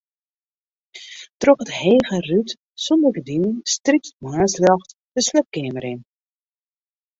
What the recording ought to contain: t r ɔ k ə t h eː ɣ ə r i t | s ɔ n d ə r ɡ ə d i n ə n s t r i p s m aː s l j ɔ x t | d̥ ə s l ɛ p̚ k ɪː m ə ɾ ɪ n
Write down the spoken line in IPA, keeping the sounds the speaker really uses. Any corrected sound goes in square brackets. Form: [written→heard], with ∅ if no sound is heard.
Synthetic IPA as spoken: t r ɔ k ə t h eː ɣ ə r [i→y] t | s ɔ n d ə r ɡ ə d i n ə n s t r i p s m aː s l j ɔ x t | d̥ ə s l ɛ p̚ k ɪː m ə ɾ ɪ n

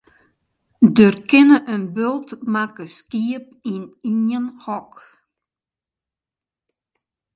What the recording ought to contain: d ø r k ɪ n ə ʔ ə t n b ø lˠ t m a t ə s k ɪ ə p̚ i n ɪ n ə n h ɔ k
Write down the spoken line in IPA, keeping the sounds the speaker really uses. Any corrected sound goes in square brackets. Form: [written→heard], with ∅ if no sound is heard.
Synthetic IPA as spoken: d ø r k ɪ n ə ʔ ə [t→∅] n b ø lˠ t m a [t→k] ə s k [ɪ→i] ə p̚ i n [ɪ→i] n ə n h ɔ k

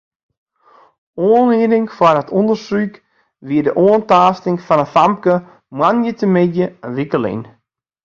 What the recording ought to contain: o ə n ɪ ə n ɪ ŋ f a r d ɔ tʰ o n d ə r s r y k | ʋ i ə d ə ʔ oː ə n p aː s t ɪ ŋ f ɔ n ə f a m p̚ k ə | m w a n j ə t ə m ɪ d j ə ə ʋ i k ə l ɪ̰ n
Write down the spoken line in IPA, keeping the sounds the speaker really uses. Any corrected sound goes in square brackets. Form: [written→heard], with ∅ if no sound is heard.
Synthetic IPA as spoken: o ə n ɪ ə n ɪ ŋ f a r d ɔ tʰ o n d ə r s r y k | ʋ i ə d ə ʔ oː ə n [p→t] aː s t ɪ ŋ f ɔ n ə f a m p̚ k ə | m w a n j ə t ə m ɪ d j ə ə ʋ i k ə l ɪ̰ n

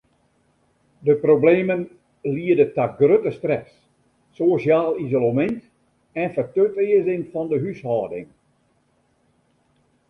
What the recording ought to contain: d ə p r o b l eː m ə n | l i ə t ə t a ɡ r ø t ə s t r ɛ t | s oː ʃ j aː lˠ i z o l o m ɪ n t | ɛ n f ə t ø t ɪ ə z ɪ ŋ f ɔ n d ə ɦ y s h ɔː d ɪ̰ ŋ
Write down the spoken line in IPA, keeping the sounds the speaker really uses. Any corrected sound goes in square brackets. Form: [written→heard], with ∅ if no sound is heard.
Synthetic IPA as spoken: d ə p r o b l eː m ə n | l i ə [t→d] ə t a ɡ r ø t ə s t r ɛ [t→s] | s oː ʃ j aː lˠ i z o l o m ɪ n t | ɛ n f ə t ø t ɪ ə z ɪ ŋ f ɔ n d ə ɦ y s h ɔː d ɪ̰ ŋ

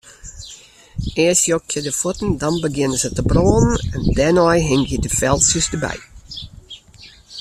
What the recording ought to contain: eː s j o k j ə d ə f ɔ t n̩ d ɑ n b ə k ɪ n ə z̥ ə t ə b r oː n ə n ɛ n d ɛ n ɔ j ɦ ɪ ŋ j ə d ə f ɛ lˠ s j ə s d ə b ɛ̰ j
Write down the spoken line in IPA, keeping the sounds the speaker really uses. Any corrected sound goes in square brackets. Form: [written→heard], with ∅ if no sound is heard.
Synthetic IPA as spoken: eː s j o k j ə d ə f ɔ t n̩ d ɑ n b ə [k→ɡ] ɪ n ə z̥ ə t ə b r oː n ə n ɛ n d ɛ n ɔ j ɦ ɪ ŋ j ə d ə f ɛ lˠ s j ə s d ə b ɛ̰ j

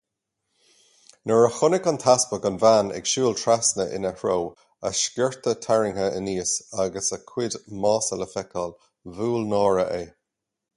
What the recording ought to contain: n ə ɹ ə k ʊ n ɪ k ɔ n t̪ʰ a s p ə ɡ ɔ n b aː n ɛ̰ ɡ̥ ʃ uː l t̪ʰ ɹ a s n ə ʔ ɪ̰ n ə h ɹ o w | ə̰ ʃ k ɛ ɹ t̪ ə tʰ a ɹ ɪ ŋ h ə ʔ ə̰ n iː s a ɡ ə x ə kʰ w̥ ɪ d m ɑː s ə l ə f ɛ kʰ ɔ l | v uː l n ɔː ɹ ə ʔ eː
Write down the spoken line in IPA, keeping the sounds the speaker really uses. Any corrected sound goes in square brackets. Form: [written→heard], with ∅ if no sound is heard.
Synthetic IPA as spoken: n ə ɹ ə [k→x] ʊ n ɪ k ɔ n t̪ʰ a s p ə ɡ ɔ n [b→v] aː n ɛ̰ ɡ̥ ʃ uː l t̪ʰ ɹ a s n ə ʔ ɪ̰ n ə h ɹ o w | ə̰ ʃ k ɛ ɹ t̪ ə tʰ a ɹ ɪ ŋ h ə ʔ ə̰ n iː s a ɡ ə [x→s] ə kʰ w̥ ɪ d m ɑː s ə l ə f ɛ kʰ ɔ l | v uː l n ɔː ɹ ə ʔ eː

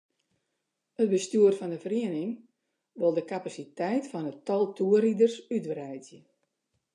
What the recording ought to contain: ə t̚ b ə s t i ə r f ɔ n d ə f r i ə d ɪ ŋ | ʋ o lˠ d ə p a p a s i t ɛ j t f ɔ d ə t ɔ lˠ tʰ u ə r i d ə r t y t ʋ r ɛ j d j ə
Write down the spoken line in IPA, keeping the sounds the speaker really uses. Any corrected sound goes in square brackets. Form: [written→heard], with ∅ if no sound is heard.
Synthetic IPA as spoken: ə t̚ b ə s t [i→y] ə r f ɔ n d ə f r i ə [d→n] ɪ ŋ | ʋ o lˠ d ə [p→k] a p a s i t ɛ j t f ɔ [d→n] ə t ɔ lˠ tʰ u ə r i d ə r [t→s] y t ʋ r ɛ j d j ə

